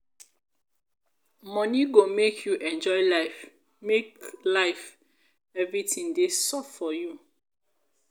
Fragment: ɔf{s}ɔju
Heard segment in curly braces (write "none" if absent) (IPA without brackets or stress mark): f